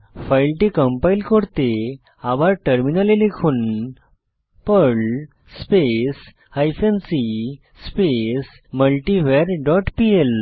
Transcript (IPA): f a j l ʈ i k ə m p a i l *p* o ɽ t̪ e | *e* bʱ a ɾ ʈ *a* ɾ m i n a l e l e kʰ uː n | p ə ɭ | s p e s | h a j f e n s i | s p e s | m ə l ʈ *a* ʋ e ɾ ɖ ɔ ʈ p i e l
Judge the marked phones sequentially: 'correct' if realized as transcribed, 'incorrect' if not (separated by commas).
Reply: incorrect, incorrect, incorrect, incorrect